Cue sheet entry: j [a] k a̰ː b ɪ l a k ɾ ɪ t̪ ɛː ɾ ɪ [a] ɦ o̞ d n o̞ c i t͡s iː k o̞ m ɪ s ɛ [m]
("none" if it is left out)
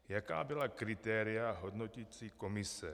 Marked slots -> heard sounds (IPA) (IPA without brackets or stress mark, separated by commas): a, a, none